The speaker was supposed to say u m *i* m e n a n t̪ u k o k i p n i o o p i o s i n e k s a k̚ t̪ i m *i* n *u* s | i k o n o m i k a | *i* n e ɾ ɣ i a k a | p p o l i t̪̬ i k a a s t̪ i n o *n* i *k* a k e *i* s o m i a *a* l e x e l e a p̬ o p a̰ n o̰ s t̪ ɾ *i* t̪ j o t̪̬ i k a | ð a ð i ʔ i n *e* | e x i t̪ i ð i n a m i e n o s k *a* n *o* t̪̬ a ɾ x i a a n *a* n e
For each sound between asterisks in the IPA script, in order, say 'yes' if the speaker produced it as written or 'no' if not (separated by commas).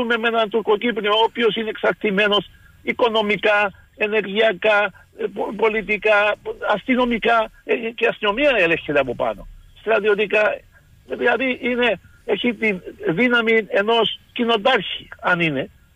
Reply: no, no, no, no, no, yes, no, no, no, yes, no, yes, no